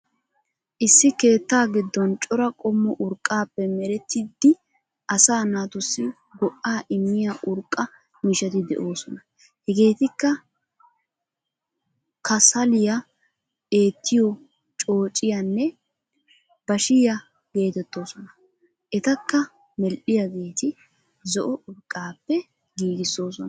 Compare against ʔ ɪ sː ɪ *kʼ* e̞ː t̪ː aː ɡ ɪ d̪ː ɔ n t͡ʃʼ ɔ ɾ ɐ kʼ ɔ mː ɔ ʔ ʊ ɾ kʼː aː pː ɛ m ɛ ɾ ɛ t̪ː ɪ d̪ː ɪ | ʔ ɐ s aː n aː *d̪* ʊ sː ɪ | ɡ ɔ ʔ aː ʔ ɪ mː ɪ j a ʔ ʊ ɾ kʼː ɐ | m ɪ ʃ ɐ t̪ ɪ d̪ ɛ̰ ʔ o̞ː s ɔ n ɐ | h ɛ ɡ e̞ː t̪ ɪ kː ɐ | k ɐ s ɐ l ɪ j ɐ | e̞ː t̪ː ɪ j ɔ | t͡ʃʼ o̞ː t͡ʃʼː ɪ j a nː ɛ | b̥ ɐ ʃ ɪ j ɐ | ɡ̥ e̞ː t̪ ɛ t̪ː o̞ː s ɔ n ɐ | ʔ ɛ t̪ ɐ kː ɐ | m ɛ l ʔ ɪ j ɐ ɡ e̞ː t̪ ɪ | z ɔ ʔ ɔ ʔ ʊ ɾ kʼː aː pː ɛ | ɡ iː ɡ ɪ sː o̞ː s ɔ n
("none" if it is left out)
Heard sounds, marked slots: k, t̪

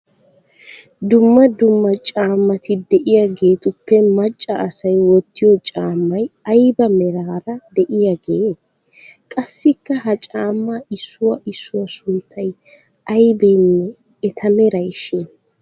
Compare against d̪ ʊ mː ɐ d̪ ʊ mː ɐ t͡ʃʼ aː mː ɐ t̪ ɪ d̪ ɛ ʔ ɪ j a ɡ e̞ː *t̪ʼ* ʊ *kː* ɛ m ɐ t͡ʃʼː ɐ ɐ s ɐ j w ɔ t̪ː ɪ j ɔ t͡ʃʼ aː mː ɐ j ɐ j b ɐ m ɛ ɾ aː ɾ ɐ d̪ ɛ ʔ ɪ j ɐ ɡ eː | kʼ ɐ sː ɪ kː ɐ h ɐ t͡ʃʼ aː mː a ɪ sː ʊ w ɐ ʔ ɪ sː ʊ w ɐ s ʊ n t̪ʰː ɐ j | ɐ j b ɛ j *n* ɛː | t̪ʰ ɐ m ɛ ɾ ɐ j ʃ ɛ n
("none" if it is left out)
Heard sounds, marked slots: t̪, pː, nː

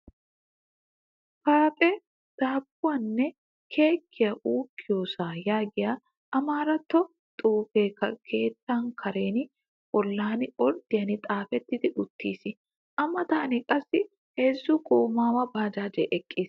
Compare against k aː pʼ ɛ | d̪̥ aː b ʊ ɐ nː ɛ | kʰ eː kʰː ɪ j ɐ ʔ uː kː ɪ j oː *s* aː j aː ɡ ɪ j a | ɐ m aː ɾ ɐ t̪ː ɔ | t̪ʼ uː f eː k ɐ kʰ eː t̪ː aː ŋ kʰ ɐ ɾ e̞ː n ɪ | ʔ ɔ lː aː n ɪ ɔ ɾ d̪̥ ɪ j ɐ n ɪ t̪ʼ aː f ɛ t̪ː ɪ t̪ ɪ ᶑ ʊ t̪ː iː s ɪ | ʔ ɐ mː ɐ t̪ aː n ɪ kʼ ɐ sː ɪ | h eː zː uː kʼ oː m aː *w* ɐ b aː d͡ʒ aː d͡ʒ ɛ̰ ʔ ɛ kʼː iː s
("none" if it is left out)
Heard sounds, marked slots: s, w

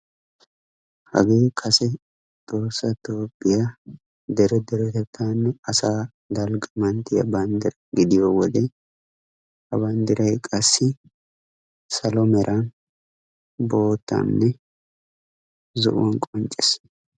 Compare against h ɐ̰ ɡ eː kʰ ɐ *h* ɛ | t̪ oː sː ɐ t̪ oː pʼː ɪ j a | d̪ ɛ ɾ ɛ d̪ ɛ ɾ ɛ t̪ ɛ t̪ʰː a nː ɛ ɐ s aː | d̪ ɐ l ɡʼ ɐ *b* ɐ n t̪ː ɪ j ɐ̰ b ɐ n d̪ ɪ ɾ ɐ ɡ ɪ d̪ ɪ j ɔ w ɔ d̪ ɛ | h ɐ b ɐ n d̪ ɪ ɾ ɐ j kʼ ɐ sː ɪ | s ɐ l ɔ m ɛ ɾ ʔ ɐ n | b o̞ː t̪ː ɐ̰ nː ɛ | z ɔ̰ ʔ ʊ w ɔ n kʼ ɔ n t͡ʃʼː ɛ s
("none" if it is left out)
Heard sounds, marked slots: s, m

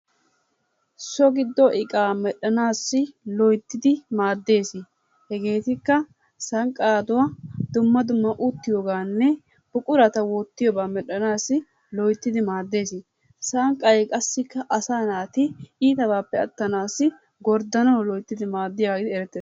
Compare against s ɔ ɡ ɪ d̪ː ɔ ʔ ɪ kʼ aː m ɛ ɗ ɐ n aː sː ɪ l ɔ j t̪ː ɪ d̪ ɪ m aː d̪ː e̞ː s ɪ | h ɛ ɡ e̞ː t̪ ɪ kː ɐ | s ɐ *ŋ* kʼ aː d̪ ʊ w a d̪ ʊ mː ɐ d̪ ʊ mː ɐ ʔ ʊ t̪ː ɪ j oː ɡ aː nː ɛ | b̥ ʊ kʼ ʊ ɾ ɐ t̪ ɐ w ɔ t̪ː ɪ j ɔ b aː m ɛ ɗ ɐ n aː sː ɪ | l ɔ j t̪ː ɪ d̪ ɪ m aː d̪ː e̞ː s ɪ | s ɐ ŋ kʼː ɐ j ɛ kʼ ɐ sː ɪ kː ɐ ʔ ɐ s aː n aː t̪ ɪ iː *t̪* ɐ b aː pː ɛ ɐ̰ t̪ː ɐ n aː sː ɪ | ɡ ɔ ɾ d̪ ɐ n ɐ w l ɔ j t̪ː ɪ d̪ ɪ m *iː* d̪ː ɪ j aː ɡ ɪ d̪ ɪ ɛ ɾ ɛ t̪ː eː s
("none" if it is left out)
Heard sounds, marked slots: ŋ, t̪, aː

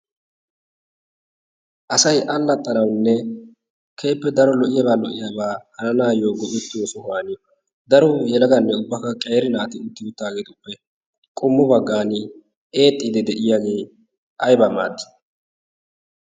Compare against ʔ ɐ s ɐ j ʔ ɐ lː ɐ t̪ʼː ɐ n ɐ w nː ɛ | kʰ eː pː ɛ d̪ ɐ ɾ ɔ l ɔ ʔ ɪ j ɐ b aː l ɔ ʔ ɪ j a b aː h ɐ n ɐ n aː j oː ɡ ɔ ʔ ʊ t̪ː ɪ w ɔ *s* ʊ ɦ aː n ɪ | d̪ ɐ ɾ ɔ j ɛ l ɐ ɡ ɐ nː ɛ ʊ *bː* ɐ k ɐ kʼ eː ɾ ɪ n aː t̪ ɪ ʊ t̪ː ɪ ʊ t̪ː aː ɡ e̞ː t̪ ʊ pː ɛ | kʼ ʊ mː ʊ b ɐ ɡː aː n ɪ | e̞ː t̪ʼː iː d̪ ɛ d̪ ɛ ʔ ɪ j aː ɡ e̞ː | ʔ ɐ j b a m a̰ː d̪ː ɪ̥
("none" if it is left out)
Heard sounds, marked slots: s, bː

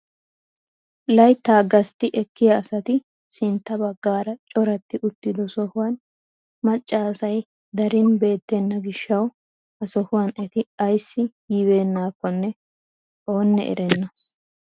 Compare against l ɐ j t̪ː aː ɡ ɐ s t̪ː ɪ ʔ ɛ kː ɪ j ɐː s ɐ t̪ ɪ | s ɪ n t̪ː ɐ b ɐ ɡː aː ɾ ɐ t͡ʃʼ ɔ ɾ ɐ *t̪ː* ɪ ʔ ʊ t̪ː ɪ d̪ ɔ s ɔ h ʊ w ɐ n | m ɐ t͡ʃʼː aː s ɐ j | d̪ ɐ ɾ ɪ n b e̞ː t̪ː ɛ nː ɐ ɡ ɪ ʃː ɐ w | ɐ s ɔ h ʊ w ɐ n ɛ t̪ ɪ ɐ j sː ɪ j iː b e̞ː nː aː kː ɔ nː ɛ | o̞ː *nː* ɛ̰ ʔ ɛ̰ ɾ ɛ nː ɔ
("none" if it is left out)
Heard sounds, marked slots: t̪ː, nː

